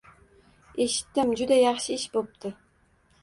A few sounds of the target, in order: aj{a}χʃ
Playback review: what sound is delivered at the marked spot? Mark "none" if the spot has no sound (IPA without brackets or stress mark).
ɑ